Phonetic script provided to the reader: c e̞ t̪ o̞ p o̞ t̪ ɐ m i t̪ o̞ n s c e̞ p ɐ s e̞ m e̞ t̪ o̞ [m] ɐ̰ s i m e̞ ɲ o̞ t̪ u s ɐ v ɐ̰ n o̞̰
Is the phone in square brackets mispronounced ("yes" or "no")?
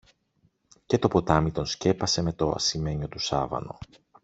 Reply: yes